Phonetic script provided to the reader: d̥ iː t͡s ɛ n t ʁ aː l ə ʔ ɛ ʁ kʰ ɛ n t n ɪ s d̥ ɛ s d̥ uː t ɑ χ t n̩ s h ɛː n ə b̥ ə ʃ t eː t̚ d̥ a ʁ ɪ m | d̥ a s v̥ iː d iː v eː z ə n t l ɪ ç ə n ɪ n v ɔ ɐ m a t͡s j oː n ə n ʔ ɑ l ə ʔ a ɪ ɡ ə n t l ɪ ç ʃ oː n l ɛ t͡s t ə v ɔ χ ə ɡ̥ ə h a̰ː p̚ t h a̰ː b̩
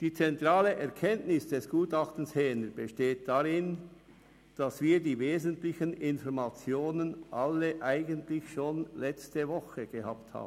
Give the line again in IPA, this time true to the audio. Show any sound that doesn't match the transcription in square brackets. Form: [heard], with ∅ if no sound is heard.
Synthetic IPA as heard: d̥ iː t͡s ɛ n t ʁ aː l ə ʔ ɛ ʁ kʰ ɛ n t n ɪ s d̥ ɛ s [ɡ̥] uː t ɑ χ t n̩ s h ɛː n ə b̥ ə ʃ t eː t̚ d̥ a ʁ ɪ [n] | d̥ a s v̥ iː d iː v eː z ə n t l ɪ ç ə n ɪ n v ɔ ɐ m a t͡s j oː n ə n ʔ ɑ l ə ʔ a ɪ ɡ ə n t l ɪ ç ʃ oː n l ɛ t͡s t ə v ɔ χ ə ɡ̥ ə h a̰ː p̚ t h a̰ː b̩